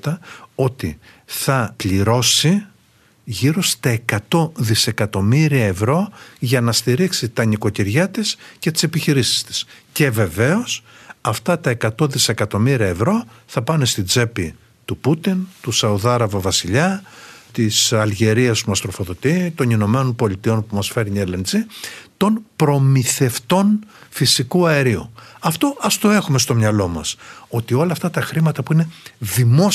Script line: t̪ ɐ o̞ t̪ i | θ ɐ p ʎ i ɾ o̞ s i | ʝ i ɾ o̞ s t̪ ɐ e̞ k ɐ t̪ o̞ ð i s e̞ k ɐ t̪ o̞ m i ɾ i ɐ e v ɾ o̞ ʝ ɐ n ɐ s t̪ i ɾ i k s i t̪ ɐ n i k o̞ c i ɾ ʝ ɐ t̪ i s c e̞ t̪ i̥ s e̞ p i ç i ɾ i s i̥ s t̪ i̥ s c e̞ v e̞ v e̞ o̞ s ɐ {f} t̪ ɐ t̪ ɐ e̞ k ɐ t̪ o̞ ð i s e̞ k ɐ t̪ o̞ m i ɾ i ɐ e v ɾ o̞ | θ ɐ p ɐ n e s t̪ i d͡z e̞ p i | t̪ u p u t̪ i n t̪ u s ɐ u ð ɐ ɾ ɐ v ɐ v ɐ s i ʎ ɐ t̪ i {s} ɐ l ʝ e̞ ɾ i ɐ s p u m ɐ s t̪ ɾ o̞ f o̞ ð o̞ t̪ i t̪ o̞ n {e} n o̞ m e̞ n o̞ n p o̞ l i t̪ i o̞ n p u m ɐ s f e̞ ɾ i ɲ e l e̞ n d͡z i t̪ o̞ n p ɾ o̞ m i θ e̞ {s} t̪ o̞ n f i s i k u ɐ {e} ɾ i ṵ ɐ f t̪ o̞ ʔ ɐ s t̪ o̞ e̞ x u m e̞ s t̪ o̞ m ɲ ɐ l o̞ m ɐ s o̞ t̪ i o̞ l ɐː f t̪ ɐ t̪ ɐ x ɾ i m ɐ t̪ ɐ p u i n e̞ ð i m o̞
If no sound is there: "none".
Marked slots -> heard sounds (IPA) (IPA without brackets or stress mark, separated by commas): f, s, i, f, e